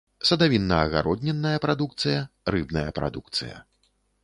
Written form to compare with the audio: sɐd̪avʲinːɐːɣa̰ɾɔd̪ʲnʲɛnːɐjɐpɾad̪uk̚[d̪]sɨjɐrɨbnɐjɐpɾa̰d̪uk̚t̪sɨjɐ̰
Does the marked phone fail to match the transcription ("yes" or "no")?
yes